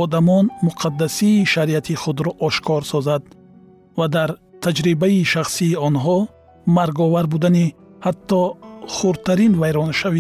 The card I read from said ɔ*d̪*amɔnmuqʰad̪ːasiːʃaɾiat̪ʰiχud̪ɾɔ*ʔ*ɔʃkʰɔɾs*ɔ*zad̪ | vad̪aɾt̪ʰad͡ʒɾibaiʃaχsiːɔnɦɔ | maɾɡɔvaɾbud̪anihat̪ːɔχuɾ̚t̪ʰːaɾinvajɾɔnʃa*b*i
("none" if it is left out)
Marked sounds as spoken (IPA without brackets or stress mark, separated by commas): d̪, ʔ, ɔ, v